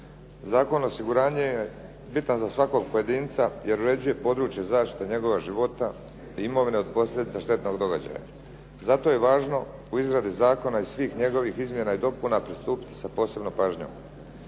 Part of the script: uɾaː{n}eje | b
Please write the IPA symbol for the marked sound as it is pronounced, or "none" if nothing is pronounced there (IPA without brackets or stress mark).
ɲ